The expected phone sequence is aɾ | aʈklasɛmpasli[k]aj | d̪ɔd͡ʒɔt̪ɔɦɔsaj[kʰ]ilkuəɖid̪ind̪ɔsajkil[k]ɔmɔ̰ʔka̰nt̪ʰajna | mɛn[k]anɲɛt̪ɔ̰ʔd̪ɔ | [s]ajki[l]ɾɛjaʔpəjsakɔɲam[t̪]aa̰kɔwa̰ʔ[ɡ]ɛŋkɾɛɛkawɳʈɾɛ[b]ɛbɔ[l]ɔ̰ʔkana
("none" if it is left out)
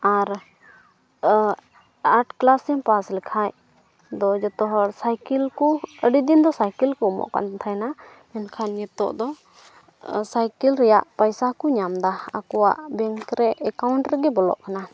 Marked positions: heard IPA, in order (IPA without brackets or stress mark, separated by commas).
kʰ, k, k, kʰ, s, l, d̪, b, ɡ, l